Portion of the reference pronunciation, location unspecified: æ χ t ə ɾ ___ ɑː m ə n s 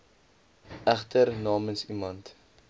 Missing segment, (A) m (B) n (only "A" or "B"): B